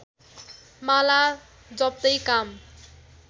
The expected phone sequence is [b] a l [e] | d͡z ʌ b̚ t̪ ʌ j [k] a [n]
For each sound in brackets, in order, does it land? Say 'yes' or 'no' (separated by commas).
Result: no, no, yes, no